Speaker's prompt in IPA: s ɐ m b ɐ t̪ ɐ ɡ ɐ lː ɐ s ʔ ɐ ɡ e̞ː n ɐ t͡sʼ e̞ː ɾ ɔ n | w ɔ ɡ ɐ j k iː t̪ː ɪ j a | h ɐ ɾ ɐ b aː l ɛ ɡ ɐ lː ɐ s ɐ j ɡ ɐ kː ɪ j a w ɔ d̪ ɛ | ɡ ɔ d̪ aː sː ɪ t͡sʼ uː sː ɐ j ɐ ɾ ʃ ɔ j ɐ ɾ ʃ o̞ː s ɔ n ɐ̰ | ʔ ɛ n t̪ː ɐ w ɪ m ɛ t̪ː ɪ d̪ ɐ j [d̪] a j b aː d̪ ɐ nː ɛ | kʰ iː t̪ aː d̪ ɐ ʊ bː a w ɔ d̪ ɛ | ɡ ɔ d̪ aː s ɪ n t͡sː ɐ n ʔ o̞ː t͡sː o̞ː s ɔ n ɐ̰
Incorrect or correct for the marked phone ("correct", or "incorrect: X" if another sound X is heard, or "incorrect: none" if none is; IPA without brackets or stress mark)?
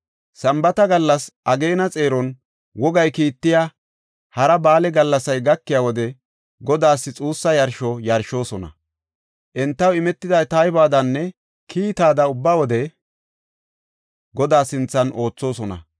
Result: incorrect: t̪